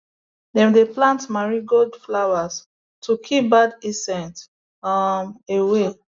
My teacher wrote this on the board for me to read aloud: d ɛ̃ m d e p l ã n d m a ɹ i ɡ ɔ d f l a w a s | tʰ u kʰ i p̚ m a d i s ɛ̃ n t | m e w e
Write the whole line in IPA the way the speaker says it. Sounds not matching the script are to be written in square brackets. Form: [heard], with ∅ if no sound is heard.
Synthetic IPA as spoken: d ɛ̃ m d e p l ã n [t] m a ɹ i ɡ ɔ d f l a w a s | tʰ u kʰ i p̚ [b] a d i s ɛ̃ n t | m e w e

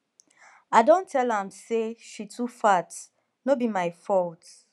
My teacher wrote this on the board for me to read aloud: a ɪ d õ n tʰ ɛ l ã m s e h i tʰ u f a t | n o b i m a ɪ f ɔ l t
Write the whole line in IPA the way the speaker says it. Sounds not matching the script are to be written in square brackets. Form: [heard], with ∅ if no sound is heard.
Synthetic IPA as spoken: a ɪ d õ n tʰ ɛ l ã m s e [ʃ] i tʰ u f a t | n o b i m a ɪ f ɔ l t

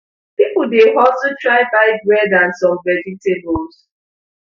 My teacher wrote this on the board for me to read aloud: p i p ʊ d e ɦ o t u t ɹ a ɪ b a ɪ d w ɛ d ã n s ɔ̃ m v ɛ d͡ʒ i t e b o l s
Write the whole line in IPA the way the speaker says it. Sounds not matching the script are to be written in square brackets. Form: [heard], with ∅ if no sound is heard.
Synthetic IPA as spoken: p i p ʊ d e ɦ [ɔ] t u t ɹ a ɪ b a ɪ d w ɛ d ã n s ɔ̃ m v ɛ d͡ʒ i t e b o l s

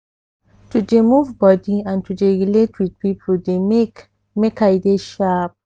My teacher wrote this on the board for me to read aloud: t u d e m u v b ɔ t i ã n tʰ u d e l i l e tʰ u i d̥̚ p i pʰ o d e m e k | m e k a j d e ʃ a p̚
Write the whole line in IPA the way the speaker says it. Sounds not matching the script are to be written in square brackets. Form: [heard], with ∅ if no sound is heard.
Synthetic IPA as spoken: t u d e m u v b ɔ [d] i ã n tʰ u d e [ɹ] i l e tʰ [w] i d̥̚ p i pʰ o d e m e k | m e k a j d e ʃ a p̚

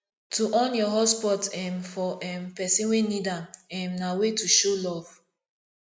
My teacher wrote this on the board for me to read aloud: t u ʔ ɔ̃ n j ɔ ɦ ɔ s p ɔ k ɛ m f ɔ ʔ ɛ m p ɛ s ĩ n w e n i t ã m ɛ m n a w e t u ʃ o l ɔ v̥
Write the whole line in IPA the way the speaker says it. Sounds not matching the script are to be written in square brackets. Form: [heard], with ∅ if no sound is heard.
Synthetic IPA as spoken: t u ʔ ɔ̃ n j ɔ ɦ ɔ s p ɔ [t] ɛ m f ɔ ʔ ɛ m p ɛ s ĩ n w e n i [d] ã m ɛ m n a w e t u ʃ o l ɔ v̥

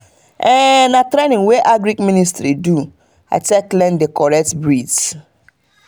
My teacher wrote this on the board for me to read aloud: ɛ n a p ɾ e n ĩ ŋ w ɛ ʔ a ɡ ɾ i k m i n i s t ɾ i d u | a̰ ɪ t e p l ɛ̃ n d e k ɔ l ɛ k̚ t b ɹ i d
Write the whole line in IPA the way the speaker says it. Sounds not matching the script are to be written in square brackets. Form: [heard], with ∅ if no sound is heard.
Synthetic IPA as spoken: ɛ n a [t] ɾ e n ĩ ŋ w [e] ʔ a ɡ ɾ i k m i n i s t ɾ i d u | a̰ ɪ t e [k] l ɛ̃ n d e k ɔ [ɹ] ɛ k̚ t b ɹ i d

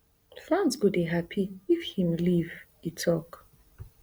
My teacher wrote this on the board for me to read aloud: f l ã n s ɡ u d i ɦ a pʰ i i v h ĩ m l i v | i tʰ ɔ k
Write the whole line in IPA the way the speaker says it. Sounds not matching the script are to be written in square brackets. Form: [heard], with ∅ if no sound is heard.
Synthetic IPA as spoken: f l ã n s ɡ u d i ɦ a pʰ i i [f] h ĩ m l i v | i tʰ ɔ k

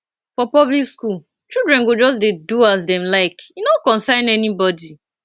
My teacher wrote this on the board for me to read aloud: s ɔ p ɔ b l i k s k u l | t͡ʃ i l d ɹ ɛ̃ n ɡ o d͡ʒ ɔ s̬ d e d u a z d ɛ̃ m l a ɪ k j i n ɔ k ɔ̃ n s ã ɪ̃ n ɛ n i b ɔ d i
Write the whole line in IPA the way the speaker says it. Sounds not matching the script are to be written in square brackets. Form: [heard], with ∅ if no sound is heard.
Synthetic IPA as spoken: [f] ɔ p ɔ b l i k s k u l | t͡ʃ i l d ɹ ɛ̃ n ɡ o d͡ʒ ɔ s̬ d e d u a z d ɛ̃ m l a ɪ k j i n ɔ k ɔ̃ n s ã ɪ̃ n ɛ n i b ɔ d i

